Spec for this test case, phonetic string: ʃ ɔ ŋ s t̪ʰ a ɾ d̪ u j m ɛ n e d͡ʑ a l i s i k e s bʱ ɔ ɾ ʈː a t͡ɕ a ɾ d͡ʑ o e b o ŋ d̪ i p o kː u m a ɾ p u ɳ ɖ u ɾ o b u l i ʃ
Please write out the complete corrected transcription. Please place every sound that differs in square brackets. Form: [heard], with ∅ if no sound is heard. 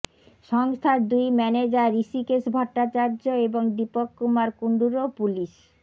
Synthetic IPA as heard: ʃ ɔ ŋ s t̪ʰ a ɾ d̪ u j m ɛ n e d͡ʑ a [ɾ] i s i k e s bʱ ɔ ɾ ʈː a t͡ɕ a ɾ d͡ʑ o e b o ŋ d̪ i p o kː u m a ɾ [k] u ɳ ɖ u ɾ o [p] u l i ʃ